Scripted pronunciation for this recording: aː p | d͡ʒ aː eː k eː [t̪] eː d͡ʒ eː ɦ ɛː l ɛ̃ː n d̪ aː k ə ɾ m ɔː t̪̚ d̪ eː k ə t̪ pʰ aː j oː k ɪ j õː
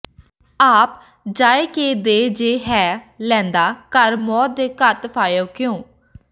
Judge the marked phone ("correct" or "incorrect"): incorrect